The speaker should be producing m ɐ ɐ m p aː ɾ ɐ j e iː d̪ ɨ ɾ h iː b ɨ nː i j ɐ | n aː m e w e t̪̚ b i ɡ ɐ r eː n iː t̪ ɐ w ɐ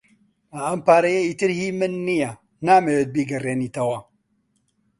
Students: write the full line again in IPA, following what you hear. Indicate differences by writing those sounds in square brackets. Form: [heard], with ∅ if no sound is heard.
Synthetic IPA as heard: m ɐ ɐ m p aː ɾ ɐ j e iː [t̪] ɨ ɾ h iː [m] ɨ nː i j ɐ | n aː m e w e t̪̚ b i ɡ ɐ r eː n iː t̪ ɐ w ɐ